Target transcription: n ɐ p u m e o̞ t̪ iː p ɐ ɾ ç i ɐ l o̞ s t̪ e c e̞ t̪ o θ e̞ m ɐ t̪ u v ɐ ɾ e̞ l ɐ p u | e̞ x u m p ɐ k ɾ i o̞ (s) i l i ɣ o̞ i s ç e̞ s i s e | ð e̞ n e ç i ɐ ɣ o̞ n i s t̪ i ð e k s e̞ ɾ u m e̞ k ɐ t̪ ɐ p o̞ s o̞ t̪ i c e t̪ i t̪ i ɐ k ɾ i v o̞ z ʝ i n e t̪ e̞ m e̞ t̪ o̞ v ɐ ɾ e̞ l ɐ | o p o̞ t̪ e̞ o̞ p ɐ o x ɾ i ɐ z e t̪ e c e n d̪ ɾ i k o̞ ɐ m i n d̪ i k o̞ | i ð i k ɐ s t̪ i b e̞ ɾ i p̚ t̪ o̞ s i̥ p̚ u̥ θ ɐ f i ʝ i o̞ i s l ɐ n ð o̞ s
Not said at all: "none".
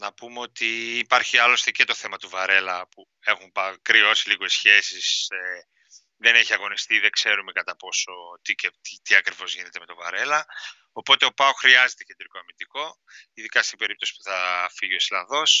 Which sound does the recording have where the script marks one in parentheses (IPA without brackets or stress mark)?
s